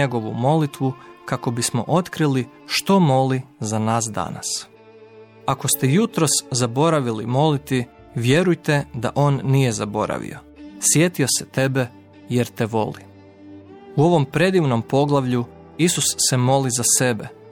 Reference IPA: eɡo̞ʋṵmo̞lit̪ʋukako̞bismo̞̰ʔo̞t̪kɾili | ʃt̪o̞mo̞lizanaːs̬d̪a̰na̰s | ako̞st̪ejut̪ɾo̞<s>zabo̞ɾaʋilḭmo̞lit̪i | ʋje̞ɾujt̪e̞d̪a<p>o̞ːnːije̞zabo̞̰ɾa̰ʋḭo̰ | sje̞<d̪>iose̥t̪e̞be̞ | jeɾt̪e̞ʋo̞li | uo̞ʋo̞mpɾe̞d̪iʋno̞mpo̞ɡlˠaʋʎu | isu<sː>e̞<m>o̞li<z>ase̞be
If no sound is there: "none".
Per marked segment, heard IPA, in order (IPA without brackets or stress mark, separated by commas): s, ʔ, t̪, sː, m, z